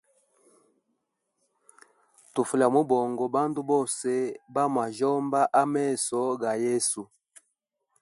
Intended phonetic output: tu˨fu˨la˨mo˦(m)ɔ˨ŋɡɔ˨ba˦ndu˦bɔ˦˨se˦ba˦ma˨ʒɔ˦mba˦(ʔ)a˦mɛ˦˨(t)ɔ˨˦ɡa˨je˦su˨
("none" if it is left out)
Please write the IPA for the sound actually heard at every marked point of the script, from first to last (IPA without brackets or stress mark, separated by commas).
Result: b, ʔ, s